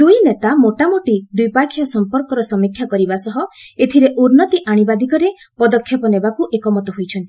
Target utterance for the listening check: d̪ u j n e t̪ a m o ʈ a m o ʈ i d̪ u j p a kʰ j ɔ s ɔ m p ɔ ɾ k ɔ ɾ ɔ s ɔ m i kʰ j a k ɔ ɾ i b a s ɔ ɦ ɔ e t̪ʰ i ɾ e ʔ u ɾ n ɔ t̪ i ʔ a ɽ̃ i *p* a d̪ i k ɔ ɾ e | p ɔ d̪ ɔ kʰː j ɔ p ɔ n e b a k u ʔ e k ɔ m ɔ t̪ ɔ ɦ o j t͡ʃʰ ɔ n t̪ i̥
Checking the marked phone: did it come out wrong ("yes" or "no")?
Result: yes